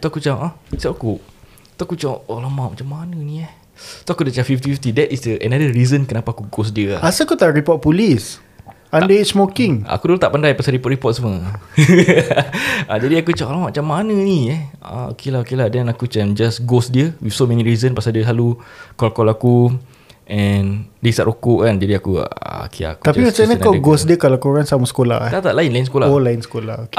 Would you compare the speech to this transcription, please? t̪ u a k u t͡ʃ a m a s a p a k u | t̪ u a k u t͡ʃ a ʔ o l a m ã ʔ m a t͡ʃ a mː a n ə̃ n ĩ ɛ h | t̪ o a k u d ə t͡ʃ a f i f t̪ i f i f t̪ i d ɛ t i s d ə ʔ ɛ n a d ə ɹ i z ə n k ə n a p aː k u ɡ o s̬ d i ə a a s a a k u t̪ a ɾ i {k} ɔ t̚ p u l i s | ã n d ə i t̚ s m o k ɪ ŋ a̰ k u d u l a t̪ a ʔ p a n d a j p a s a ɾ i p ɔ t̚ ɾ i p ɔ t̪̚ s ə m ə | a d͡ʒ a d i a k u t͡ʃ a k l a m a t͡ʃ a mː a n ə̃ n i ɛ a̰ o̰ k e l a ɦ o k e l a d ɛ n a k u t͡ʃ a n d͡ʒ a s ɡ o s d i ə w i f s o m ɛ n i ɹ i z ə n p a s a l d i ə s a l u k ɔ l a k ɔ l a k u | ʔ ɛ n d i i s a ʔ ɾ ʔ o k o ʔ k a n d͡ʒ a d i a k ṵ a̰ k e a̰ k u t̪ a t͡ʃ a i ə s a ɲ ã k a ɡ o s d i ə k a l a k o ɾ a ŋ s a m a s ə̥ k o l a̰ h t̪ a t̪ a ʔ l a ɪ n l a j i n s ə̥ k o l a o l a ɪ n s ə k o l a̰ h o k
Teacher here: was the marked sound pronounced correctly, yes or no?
no